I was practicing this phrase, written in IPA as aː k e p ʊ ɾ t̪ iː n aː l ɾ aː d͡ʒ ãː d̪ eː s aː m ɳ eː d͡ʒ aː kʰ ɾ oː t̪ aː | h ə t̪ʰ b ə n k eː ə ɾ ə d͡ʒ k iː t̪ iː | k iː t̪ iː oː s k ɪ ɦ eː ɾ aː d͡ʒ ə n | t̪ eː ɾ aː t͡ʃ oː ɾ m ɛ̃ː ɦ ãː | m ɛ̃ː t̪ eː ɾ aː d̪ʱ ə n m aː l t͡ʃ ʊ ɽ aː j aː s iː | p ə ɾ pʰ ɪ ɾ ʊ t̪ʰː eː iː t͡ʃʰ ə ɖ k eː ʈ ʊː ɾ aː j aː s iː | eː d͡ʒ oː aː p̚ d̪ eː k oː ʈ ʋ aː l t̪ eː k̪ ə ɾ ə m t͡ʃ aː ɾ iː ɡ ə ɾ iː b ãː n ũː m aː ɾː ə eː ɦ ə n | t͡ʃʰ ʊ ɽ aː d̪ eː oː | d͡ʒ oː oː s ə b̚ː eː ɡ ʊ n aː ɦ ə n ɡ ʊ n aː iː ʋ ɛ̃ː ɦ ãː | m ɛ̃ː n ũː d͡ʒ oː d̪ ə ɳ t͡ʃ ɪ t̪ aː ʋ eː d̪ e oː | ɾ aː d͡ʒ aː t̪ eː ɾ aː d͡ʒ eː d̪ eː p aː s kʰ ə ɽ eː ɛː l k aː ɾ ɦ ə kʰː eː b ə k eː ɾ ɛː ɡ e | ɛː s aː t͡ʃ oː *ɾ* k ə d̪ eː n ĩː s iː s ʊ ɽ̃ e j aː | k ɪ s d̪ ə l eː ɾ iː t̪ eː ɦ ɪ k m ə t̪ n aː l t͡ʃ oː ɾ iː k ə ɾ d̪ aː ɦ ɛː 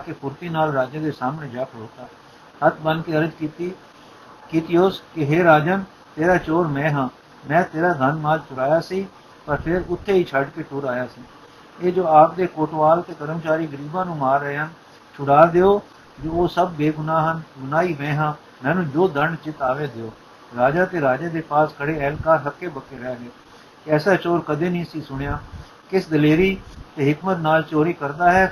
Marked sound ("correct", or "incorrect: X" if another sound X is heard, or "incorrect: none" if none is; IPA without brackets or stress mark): correct